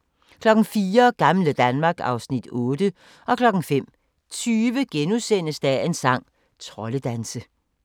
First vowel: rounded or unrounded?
rounded